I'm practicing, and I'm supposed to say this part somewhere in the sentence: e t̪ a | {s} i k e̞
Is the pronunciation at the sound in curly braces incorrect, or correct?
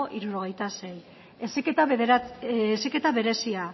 correct